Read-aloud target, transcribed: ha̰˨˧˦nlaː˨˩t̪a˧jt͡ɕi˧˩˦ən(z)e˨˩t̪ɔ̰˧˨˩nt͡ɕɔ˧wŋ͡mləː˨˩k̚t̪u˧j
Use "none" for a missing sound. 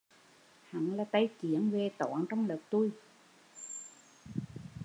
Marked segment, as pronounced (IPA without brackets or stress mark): v